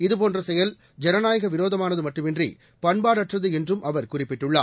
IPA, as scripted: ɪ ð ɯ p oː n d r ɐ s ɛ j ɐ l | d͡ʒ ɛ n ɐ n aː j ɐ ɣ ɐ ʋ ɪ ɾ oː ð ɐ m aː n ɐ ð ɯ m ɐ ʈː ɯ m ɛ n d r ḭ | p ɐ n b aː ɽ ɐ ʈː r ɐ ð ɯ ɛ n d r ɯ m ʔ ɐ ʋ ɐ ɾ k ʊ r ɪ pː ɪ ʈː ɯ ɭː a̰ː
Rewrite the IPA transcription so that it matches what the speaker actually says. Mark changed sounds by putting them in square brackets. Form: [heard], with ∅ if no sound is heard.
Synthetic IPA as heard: ɪ ð ɯ p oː n d r ɐ s ɛ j ɐ l | d͡ʒ ɛ n ɐ n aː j ɐ ɣ ɐ ʋ ɪ ɾ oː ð ɐ m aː n ɐ ð ɯ m ɐ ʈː ɯ m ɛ n d r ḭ | p ɐ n b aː ɽ ɐ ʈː r ɐ ð ɯ ɛ n d r ɯ m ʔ ɐ ʋ ɐ ɾ k ʊ r ɪ pː ɪ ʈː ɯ ɭː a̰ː